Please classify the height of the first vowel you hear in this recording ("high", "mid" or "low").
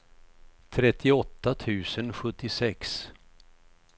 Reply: mid